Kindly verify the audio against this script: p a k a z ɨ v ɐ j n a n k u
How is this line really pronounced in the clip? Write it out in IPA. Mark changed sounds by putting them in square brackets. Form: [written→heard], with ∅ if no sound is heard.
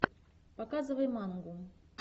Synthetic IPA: p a k a z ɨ v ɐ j [n→m] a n [k→ɡ] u